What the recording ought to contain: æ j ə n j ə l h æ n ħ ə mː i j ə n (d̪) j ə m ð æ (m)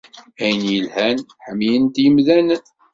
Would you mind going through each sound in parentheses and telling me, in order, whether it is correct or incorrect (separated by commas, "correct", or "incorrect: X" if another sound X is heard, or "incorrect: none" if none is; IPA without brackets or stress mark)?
incorrect: t̪, incorrect: n